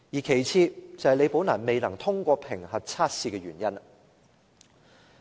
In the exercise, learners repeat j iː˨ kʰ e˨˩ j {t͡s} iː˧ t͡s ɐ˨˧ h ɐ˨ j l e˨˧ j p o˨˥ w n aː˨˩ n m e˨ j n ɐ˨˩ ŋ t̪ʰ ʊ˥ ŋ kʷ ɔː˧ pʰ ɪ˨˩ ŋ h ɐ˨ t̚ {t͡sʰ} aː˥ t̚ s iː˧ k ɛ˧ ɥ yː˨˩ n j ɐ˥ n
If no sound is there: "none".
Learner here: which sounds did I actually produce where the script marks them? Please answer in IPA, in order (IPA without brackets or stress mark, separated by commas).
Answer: t͡sʰ, t͡sʰ